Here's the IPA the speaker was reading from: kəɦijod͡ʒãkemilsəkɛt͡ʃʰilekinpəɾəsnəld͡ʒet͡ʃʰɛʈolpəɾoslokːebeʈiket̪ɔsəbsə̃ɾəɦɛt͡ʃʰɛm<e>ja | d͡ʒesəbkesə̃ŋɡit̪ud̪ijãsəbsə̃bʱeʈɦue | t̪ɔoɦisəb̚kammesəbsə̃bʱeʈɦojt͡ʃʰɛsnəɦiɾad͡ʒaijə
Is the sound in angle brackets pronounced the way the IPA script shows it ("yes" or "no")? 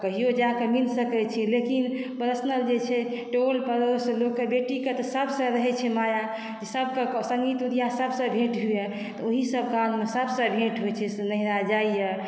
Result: no